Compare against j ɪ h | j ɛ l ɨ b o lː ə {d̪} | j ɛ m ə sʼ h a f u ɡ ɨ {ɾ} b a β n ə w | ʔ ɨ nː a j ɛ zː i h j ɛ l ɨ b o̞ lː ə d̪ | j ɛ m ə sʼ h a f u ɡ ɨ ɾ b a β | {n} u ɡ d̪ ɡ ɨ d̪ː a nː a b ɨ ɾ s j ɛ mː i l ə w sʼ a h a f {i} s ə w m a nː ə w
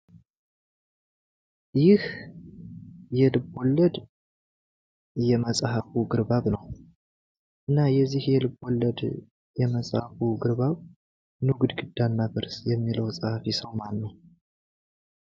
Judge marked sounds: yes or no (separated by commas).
yes, yes, yes, yes